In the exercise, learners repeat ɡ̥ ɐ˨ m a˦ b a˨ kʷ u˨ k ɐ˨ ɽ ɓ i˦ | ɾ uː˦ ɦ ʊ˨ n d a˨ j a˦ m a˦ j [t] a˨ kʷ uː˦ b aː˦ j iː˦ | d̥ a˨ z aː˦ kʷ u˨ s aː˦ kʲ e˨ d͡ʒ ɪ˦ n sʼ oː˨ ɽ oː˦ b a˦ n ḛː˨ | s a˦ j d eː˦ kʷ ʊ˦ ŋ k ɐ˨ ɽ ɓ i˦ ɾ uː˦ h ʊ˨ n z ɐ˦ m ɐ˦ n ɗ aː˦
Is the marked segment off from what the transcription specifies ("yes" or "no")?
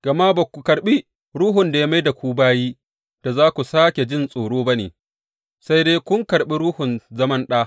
yes